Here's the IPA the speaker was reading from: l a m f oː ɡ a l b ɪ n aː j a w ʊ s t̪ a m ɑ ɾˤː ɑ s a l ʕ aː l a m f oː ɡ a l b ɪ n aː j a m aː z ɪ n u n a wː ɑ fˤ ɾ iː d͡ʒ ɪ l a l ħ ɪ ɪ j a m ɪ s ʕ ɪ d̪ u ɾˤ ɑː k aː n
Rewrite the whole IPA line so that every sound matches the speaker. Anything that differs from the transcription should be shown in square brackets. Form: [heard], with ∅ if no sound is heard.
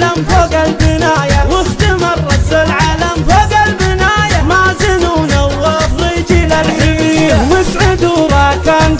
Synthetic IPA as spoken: l a m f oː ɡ a l b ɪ n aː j a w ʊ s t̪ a m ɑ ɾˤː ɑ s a l ʕ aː l a m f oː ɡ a l b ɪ n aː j a m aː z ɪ n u n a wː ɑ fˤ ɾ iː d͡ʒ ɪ l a l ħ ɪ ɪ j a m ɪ s ʕ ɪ d̪ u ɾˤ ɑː k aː n